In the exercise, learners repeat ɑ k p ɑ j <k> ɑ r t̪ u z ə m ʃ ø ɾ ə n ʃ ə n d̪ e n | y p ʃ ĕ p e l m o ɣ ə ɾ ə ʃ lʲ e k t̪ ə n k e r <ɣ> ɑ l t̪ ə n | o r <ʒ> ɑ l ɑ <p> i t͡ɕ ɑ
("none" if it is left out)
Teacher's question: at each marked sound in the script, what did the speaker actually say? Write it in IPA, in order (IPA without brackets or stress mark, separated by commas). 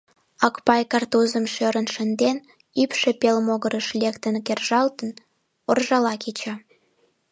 k, ʒ, ʒ, k